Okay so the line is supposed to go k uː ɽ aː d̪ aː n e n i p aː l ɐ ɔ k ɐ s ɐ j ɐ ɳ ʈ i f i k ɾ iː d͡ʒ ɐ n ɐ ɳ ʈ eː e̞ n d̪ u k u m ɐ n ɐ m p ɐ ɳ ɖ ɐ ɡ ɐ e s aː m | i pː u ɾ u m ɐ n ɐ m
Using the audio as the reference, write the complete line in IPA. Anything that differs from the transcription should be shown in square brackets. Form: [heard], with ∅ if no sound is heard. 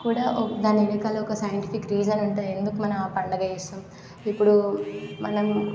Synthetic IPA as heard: k uː ɽ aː d̪ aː n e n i [k] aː l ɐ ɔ k ɐ s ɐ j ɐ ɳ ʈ i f i k ɾ iː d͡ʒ ɐ n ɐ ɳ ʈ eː e̞ n d̪ u k u m ɐ n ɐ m p ɐ ɳ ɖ ɐ ɡ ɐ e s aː m | i pː u [ɽ] u m ɐ n ɐ m